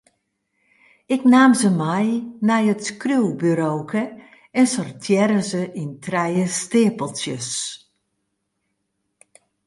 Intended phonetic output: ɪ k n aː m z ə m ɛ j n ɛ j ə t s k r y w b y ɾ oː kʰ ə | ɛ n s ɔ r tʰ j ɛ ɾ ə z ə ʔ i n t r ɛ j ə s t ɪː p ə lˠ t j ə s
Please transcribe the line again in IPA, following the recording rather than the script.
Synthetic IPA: ɪ k n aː m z ə m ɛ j n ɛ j ə t s k r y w b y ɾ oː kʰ ə | ɛ n s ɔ r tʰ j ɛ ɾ ə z ə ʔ i n t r ɛ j ə s t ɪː p ə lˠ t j ə s